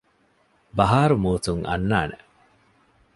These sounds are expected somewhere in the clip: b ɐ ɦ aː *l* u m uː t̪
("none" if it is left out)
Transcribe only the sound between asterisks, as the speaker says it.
ɾ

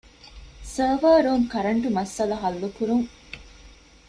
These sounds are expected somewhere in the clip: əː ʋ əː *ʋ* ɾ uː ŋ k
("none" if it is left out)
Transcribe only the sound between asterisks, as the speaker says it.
none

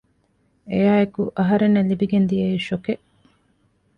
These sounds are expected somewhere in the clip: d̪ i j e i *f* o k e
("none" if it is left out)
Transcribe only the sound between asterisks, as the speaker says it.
ʃ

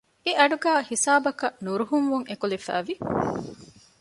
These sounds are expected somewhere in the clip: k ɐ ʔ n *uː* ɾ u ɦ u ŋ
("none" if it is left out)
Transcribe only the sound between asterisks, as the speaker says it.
u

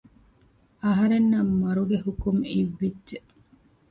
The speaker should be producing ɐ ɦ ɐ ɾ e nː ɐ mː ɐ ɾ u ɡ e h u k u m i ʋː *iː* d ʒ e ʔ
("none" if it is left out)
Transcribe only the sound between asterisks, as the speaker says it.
i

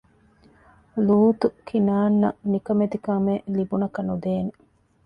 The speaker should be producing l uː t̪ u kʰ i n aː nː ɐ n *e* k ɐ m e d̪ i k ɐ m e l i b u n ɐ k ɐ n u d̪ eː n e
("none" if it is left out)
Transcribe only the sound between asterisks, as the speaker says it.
i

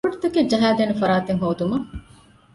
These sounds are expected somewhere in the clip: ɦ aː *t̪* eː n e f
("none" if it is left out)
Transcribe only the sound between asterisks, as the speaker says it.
d̪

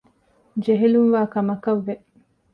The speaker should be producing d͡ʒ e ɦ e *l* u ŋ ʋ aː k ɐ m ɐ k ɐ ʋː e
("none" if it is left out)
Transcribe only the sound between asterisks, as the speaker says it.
l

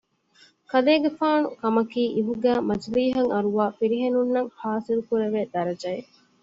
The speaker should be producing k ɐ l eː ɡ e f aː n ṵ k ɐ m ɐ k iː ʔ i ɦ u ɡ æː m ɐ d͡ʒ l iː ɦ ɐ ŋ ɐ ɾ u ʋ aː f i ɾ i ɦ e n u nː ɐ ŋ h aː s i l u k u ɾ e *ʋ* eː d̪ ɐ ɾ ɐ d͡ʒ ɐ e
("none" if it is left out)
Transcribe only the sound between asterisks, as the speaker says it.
ʋ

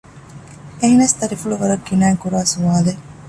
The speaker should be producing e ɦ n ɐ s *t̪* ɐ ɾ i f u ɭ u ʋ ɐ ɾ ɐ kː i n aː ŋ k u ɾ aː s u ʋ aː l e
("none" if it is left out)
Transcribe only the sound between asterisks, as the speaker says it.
t̪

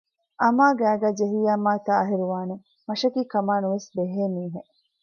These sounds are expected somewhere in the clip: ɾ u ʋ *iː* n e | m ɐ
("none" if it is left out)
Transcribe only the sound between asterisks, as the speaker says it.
aː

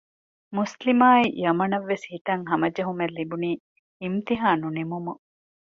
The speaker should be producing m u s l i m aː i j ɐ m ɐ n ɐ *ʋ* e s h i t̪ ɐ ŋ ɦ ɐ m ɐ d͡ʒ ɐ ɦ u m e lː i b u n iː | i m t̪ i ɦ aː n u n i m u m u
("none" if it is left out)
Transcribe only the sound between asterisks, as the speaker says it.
ʋː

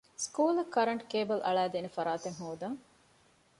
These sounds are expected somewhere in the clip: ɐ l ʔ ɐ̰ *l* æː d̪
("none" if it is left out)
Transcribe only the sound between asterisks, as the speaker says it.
ɭ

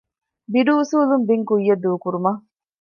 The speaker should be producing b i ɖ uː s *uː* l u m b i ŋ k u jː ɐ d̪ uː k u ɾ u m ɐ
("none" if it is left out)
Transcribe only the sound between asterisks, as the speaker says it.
uː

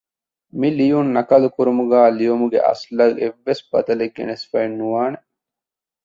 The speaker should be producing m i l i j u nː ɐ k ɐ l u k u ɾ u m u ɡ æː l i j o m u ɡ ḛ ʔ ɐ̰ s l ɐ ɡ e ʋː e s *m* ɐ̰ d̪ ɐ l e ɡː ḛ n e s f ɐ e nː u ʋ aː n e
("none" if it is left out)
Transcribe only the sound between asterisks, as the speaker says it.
b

